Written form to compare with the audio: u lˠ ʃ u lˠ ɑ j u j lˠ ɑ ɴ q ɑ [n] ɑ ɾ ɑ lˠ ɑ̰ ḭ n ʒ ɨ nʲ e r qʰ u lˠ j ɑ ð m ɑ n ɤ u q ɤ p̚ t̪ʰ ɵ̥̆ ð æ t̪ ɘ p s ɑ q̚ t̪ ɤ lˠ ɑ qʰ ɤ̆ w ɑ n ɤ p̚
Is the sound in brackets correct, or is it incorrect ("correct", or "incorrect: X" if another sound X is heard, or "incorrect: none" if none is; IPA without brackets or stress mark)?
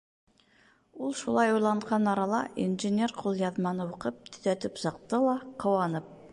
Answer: correct